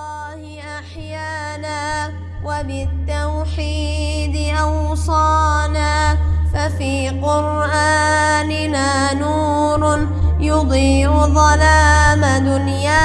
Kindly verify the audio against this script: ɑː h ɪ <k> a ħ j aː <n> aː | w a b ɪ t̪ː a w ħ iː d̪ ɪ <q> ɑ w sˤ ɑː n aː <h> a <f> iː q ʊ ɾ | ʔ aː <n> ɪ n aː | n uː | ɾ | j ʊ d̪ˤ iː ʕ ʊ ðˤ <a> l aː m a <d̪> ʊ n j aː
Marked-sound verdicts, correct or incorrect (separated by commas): incorrect, correct, incorrect, incorrect, correct, correct, incorrect, correct